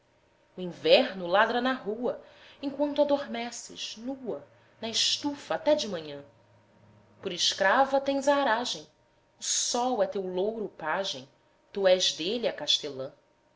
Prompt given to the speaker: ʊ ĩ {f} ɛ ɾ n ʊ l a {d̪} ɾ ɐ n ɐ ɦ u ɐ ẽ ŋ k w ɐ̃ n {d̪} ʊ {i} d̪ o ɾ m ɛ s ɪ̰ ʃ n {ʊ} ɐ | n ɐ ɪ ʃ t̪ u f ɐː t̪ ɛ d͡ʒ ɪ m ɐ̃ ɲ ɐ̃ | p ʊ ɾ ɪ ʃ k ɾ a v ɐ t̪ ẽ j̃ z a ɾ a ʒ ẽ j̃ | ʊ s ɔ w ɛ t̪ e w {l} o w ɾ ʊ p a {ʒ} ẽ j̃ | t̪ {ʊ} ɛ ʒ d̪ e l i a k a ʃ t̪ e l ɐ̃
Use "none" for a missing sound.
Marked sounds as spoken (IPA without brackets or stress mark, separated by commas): v, d̪, t̪, a, u, l, ʒ, u